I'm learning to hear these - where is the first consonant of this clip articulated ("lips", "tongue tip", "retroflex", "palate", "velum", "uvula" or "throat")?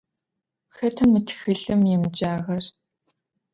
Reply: velum